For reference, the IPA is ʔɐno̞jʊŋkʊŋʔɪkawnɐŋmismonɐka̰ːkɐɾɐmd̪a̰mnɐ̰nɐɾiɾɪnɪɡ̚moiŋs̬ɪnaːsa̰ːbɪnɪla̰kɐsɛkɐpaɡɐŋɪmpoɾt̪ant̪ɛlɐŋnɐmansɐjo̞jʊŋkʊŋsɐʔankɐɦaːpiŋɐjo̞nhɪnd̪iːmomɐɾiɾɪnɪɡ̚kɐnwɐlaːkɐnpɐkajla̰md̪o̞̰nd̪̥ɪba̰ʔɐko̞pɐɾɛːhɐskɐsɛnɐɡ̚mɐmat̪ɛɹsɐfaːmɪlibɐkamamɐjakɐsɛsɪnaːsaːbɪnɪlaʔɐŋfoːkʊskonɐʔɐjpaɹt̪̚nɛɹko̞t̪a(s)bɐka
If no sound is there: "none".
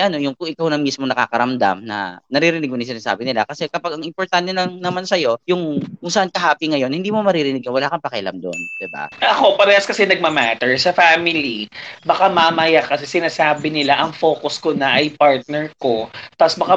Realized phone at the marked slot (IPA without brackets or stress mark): s